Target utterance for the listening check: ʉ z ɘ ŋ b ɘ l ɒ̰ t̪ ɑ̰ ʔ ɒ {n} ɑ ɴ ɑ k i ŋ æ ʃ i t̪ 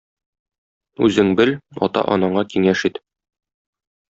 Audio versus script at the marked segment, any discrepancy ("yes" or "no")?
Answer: no